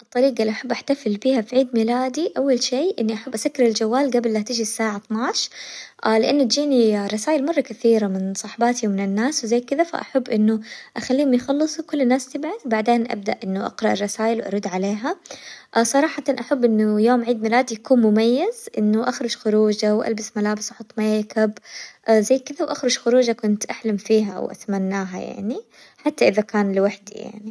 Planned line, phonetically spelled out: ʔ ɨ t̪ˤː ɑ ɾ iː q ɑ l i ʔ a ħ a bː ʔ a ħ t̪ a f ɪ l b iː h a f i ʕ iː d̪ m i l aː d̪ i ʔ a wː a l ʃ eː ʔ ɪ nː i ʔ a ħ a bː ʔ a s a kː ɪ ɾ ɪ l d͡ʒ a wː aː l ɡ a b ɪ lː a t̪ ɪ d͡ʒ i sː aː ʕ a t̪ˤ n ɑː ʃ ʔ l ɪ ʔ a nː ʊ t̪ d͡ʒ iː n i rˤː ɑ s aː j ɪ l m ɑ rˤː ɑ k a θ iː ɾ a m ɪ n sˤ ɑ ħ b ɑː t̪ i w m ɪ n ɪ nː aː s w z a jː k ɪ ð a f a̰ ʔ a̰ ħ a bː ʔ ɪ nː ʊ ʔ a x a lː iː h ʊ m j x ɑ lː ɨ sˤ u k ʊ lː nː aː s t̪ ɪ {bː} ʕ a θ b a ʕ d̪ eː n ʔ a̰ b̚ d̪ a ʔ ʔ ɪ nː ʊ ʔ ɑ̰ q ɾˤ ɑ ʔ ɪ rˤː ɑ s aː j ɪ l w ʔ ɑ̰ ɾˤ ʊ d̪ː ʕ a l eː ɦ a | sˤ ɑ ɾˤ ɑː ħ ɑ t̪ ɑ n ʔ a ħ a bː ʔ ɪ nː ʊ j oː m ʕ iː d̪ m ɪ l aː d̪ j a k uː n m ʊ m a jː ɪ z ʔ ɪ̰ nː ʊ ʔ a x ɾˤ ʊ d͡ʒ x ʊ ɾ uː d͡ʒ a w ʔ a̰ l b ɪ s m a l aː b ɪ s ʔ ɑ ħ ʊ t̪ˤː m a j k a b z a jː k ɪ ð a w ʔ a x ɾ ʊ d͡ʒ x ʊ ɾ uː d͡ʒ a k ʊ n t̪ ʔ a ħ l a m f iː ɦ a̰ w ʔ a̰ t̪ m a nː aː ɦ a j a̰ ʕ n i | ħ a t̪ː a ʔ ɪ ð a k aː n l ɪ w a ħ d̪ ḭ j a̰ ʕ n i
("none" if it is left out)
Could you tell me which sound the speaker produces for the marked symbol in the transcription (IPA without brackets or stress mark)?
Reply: b